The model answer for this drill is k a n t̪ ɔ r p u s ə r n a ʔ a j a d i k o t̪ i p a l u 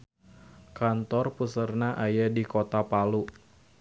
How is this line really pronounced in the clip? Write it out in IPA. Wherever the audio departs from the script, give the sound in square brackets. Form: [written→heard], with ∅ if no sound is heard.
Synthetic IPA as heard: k a n t̪ ɔ r p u s ə r n a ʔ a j a d i k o t̪ [i→a] p a l u